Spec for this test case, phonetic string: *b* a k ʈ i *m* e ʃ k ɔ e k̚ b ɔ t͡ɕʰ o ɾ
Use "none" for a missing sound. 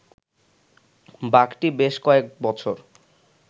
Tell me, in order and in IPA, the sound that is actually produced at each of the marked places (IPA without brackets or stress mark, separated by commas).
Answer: b, b